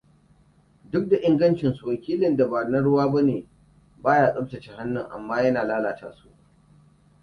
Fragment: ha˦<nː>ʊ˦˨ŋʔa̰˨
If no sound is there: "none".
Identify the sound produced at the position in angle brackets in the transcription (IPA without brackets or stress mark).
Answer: nː